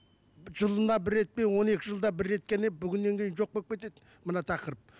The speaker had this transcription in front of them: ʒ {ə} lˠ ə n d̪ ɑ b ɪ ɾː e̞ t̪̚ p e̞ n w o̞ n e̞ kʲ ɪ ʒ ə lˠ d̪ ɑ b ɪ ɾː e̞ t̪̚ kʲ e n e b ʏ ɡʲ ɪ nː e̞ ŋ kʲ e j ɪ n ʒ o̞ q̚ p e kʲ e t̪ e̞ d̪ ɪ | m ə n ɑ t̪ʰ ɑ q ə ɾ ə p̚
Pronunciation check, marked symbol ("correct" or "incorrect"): correct